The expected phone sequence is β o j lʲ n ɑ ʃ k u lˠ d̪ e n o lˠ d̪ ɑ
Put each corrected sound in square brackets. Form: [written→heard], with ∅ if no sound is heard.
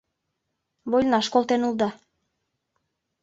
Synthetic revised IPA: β o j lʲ n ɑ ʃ k [u→o] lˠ [d̪→t̪] e n [o→u] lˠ d̪ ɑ